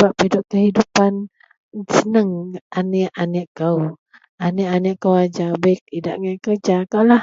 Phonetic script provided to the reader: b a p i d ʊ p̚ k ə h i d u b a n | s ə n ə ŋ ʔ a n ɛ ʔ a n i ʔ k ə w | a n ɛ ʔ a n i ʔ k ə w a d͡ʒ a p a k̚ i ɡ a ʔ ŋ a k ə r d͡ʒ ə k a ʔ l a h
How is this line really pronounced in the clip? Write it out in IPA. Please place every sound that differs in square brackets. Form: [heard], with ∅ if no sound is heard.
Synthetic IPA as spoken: b a p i d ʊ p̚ k ə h i d u [p] a n | s ə n ə ŋ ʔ a n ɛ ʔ a n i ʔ k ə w | a n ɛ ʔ a n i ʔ k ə w a d͡ʒ a [b] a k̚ i [d] a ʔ ŋ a k ə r d͡ʒ [a] k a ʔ l a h